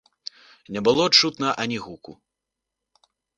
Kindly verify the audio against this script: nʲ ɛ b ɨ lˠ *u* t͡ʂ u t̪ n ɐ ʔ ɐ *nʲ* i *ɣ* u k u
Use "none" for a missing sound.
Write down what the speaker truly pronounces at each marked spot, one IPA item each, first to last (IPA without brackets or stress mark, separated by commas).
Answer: ɔ, nʲ, ɣ